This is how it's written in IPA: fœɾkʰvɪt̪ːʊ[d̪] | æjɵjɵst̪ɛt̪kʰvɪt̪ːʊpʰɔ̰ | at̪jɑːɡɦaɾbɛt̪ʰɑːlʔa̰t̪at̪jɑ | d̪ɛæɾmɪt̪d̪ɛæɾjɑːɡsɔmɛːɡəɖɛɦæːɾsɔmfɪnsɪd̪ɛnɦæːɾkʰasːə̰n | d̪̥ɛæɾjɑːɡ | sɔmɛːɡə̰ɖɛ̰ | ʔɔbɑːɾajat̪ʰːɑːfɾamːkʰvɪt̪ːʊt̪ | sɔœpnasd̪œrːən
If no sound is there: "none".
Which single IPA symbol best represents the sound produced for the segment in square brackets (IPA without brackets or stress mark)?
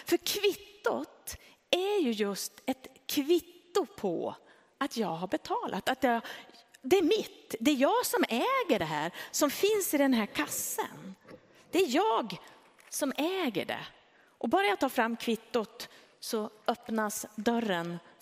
t̪